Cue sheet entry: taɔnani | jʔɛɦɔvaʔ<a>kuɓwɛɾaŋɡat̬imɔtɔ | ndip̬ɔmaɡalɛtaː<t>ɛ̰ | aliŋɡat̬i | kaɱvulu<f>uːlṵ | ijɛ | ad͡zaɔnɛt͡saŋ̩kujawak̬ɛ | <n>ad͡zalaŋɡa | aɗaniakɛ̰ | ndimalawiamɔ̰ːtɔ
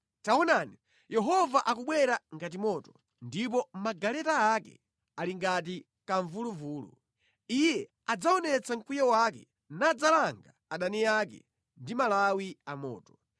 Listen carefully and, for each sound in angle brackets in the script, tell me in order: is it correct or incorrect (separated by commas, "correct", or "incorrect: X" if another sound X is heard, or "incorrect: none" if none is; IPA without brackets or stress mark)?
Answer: correct, incorrect: k, incorrect: v, correct